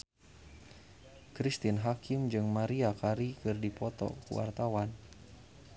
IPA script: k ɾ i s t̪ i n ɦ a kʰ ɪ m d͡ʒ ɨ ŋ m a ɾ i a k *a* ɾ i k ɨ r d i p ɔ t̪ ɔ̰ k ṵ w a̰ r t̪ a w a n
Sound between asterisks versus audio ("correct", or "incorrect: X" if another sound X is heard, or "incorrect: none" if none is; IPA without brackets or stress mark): correct